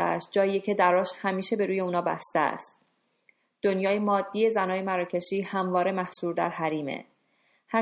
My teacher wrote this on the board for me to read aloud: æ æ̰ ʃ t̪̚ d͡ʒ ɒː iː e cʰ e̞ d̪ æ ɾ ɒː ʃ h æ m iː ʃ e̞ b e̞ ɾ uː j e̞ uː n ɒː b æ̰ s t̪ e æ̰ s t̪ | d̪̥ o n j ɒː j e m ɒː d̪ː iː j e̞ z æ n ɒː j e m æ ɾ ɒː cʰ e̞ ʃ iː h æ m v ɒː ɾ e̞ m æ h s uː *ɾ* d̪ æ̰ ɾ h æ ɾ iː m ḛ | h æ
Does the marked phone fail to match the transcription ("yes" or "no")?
no